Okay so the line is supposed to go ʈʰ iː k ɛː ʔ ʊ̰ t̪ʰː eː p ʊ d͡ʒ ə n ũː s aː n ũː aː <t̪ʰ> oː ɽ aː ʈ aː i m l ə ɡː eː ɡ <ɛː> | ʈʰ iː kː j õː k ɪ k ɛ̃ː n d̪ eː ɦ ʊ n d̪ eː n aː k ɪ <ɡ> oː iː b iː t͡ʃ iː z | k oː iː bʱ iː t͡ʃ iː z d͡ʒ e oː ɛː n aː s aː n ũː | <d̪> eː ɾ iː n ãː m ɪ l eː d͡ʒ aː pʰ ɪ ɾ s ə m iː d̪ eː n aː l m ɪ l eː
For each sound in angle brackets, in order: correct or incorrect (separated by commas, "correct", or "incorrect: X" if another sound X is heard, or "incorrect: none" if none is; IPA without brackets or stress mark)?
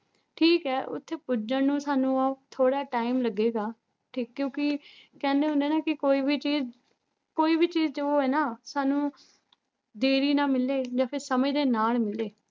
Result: correct, incorrect: aː, incorrect: k, correct